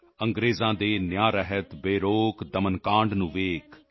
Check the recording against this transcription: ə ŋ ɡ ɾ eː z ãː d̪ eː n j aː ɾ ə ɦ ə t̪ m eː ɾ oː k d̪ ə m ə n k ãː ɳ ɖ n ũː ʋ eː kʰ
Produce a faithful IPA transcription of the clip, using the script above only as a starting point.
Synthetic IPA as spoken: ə ŋ ɡ ɾ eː z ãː d̪ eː n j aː ɾ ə ɦ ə t̪ b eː ɾ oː k d̪ ə m ə n k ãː ɳ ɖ n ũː ʋ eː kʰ